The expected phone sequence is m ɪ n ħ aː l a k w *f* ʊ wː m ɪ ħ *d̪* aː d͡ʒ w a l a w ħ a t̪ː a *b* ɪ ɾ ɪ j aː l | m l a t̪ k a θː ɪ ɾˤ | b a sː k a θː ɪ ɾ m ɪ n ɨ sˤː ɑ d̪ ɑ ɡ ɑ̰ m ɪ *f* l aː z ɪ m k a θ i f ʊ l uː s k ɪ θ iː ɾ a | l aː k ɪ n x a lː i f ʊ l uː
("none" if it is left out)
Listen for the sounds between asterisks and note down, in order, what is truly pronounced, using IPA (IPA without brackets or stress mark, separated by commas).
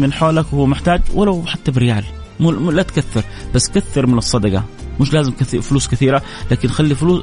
h, t̪, b, ʃ